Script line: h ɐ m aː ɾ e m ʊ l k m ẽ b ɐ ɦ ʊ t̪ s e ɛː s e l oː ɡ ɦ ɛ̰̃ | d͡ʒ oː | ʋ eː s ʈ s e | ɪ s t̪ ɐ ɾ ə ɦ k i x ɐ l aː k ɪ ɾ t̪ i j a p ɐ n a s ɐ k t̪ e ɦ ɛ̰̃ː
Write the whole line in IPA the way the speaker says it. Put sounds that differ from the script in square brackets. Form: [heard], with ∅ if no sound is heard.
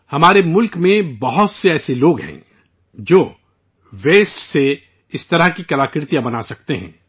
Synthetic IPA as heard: h ɐ m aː ɾ e m ʊ l k m ẽ b ɐ ɦ ʊ t̪ s e ɛː s e l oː ɡ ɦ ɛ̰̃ | d͡ʒ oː | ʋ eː s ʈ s e | ɪ s t̪ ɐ ɾ ə ɦ k i [k] ɐ l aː k ɪ ɾ t̪ i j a [b] ɐ n a s ɐ k t̪ e ɦ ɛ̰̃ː